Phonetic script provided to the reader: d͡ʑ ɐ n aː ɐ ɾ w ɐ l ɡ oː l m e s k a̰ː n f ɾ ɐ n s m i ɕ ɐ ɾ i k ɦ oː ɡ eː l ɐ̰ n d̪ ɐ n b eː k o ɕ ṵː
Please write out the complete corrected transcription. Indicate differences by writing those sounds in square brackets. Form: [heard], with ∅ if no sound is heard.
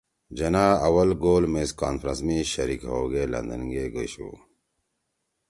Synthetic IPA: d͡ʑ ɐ n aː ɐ [∅] w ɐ l ɡ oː l m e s k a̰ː n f ɾ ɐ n s m i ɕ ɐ ɾ i k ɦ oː ɡ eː l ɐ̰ n d̪ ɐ n [ɡ] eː [ɡ] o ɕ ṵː